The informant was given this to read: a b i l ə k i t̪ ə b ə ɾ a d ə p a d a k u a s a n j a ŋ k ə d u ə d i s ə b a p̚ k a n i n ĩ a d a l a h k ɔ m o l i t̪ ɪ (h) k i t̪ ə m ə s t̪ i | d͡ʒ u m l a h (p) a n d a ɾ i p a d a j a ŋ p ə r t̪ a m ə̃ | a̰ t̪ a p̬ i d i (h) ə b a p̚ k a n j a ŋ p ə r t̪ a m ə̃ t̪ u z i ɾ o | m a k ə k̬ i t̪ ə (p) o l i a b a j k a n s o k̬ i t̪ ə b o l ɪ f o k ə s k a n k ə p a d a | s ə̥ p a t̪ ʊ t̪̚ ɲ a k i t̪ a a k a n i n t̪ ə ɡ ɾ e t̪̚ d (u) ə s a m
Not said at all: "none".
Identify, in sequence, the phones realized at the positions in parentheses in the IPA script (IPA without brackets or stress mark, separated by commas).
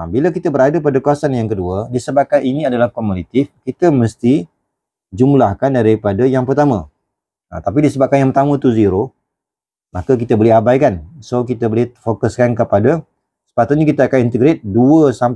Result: f, k, s, b, u